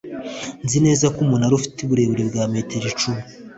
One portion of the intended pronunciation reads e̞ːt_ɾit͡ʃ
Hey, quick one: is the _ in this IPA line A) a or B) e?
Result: B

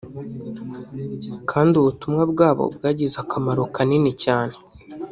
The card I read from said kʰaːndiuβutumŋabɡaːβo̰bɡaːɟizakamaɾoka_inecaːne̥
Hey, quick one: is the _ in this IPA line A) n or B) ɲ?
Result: A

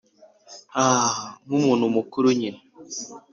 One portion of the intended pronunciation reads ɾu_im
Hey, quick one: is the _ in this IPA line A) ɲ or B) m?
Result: A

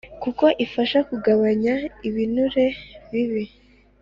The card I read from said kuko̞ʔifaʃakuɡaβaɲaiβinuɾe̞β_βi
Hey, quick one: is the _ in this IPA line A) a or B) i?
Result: B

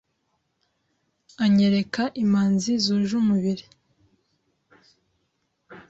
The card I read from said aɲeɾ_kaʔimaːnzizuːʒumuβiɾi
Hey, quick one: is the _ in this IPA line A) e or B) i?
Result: A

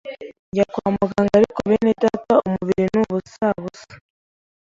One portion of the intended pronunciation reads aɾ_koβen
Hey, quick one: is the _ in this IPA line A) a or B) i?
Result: B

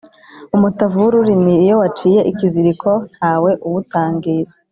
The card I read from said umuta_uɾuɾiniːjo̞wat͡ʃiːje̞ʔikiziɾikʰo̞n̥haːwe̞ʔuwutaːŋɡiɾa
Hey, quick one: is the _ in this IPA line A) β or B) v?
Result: B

